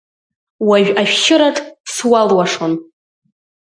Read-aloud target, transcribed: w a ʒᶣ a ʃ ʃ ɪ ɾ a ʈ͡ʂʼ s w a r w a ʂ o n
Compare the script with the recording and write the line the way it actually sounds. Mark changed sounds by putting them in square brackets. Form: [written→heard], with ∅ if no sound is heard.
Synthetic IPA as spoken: w a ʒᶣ a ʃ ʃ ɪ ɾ a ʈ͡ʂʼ s w a [r→l] w a ʂ o n